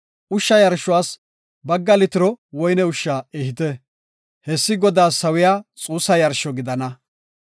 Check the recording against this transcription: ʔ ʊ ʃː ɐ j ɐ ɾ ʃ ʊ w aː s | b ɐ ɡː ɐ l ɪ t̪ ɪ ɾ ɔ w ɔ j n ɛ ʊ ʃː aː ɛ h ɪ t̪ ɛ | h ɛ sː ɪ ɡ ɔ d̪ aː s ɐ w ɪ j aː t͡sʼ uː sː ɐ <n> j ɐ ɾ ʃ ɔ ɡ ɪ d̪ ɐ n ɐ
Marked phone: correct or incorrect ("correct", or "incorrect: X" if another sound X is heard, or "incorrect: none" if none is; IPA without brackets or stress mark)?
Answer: incorrect: none